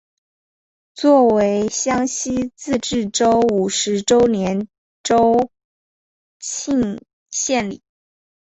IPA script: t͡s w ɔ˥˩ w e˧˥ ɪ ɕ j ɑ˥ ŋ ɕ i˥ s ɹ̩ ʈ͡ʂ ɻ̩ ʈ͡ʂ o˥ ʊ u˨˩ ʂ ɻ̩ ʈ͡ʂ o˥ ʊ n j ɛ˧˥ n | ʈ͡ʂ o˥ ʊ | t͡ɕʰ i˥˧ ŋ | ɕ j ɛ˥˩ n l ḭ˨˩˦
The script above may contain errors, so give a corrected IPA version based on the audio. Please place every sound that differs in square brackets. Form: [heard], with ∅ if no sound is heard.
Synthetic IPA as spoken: t͡s w ɔ˥˩ w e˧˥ ɪ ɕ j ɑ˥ ŋ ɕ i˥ [t͡s] ɹ̩ ʈ͡ʂ ɻ̩ ʈ͡ʂ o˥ ʊ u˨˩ ʂ ɻ̩ ʈ͡ʂ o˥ ʊ n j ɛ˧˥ n | ʈ͡ʂ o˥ ʊ | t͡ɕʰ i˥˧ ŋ | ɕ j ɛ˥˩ n l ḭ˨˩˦